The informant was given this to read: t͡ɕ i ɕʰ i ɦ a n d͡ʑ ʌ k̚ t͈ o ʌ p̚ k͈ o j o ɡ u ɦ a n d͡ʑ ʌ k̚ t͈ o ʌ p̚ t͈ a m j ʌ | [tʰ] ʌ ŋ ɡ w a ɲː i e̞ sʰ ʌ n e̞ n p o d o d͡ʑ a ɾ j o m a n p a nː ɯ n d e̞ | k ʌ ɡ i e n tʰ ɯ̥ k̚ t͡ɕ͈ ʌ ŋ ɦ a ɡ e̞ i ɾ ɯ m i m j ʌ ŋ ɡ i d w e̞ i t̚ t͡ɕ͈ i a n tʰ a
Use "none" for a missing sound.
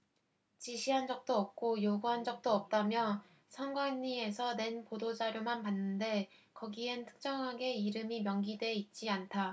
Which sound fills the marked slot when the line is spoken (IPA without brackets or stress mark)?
sʰ